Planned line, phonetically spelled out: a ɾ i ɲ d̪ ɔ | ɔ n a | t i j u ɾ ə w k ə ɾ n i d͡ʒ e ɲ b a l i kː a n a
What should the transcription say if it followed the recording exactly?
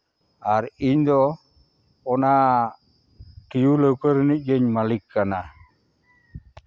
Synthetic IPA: a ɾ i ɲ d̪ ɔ | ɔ n a | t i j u l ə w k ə ɾ n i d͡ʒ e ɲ m a l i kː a n a